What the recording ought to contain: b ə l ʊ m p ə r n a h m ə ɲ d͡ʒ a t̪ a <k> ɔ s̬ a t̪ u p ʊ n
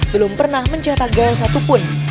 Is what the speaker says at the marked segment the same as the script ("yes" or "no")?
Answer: no